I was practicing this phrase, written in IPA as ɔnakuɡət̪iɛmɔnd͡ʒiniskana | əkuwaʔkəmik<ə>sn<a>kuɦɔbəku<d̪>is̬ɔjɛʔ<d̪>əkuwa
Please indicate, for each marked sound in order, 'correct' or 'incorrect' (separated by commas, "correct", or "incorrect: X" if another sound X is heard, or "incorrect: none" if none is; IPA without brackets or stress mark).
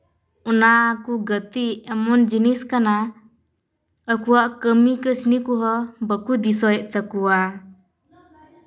correct, incorrect: i, correct, incorrect: t̪